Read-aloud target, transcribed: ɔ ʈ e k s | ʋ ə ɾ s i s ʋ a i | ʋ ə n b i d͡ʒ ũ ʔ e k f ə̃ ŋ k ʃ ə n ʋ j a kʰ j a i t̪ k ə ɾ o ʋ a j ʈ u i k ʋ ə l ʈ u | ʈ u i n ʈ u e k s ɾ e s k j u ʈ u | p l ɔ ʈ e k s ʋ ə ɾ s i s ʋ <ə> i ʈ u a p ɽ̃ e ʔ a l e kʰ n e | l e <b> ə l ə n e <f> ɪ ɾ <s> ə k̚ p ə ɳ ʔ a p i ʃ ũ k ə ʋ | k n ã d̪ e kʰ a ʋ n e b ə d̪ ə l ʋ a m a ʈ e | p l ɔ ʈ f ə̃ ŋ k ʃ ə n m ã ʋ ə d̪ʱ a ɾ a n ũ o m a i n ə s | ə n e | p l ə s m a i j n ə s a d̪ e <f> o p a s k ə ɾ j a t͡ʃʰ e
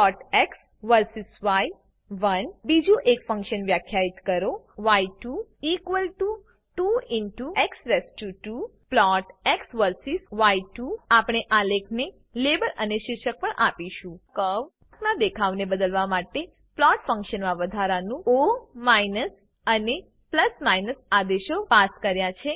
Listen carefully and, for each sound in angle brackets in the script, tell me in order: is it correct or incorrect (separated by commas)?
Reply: incorrect, correct, incorrect, incorrect, incorrect